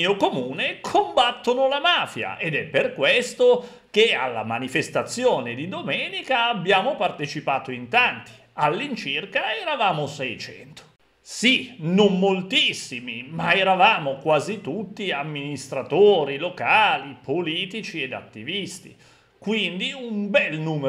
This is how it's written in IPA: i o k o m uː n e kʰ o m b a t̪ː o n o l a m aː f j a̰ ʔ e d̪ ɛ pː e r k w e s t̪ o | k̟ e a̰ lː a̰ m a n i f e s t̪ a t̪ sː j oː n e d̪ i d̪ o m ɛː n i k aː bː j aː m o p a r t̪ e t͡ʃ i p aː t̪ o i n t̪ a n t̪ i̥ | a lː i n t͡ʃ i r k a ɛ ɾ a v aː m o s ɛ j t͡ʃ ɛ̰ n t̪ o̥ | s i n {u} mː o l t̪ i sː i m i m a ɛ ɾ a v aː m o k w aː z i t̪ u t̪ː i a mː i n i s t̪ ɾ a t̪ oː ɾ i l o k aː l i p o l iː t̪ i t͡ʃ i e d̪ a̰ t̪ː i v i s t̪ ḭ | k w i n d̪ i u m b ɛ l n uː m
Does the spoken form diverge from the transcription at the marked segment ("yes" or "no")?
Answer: yes